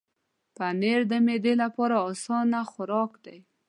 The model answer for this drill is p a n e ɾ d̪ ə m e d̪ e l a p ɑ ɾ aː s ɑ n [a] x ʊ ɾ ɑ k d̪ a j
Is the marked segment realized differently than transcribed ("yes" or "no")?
no